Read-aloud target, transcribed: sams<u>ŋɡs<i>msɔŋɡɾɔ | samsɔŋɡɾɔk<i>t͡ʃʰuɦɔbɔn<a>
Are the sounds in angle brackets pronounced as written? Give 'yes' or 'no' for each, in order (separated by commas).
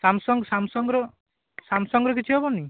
no, no, yes, no